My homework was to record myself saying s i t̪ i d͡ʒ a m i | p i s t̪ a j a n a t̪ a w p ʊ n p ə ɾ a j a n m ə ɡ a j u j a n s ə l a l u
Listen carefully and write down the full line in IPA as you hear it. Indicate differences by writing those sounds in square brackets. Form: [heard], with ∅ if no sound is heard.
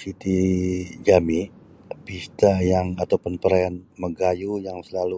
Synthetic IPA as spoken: s i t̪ i d͡ʒ a m i | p i s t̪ a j a [ŋ] a t̪ a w p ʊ n p ə ɾ a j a n m ə ɡ a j u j a [ŋ] s ə l a l u